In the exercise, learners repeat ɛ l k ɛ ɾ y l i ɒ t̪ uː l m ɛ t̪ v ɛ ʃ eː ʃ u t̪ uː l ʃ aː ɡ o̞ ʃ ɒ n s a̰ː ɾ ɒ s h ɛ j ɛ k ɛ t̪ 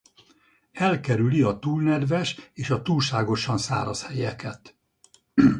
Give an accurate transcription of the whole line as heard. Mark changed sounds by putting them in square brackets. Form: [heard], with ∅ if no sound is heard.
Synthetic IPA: ɛ l k ɛ ɾ y l i ɒ t̪ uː l [n] ɛ [d̪] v ɛ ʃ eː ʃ [ɒ] t̪ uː l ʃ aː ɡ o̞ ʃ ɒ n s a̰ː ɾ ɒ s h ɛ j ɛ k ɛ t̪